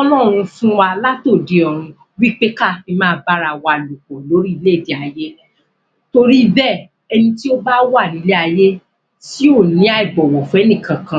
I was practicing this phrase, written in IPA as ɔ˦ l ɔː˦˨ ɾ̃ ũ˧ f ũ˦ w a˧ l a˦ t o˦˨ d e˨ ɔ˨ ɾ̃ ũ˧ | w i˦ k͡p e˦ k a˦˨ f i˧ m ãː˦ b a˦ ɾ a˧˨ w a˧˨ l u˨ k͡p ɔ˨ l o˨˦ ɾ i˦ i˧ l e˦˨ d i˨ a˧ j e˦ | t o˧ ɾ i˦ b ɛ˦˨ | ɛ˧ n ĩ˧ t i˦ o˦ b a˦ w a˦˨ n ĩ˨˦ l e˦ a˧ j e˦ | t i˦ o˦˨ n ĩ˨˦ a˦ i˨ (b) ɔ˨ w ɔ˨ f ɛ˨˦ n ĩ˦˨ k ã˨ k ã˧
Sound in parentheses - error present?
no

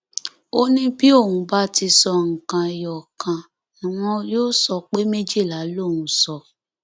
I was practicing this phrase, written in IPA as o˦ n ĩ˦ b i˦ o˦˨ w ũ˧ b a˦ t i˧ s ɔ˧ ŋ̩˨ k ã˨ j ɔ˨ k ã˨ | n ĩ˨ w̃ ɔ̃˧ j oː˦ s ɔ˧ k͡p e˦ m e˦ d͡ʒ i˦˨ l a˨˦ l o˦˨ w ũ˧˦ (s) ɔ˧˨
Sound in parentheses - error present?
no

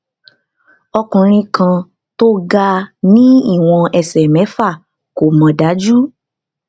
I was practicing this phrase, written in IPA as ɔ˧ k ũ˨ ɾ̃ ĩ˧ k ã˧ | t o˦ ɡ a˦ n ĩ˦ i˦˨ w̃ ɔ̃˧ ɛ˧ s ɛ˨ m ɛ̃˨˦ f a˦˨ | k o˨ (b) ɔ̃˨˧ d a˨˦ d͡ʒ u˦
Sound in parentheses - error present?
yes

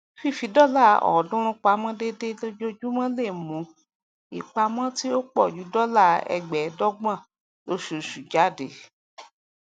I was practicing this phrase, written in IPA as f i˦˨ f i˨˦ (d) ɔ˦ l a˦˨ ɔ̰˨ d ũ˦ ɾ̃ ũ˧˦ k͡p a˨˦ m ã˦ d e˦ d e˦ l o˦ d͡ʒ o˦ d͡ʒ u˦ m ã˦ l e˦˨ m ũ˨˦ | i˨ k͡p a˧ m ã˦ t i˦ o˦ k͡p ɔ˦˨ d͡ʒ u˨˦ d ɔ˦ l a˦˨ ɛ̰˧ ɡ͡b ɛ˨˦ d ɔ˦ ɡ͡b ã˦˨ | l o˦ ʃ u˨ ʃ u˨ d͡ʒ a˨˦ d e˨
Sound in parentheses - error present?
no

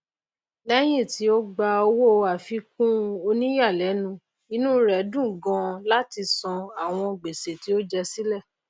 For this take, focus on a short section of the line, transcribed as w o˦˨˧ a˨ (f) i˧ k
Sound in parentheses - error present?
no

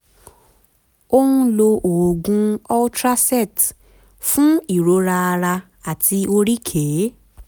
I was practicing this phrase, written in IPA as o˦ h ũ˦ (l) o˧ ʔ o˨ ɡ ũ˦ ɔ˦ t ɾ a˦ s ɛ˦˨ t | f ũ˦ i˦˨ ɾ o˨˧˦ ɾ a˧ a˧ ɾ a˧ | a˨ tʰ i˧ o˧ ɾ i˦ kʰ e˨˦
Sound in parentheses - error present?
no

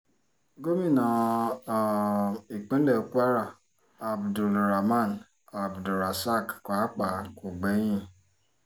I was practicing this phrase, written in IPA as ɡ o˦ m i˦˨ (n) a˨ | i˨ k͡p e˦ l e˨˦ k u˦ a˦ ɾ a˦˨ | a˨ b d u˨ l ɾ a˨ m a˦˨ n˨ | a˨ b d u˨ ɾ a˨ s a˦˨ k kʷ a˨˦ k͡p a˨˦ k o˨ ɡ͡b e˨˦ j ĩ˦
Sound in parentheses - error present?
no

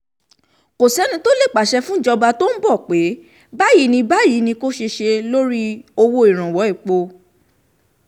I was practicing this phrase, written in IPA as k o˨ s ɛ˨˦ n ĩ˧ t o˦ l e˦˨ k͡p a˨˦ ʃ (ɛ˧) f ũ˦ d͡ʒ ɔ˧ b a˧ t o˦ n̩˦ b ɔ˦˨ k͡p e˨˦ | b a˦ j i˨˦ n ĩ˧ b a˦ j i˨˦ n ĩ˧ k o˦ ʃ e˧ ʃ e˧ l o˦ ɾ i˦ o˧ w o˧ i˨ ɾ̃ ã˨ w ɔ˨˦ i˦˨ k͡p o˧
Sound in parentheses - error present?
no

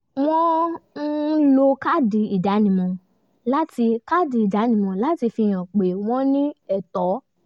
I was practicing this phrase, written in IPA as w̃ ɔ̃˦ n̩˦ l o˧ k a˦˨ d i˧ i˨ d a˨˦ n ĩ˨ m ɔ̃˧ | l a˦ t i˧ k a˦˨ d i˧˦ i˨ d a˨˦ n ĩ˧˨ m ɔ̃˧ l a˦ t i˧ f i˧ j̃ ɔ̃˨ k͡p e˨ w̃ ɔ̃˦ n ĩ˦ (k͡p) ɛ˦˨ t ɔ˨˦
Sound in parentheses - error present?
yes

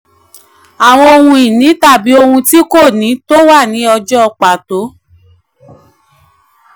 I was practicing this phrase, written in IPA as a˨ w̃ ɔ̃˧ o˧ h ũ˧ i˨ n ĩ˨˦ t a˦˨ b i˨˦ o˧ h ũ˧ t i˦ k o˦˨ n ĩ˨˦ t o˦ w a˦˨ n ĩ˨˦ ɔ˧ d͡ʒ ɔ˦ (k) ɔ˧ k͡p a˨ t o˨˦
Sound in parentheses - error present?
yes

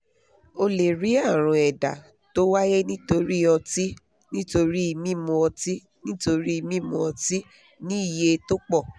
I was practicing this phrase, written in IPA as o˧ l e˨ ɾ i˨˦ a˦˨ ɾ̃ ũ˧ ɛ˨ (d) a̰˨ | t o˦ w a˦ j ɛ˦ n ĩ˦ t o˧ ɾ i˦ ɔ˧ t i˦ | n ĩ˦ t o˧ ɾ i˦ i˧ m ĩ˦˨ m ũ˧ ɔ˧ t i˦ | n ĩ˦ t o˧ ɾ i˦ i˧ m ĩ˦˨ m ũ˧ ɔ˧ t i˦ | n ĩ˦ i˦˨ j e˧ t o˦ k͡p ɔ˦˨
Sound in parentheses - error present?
no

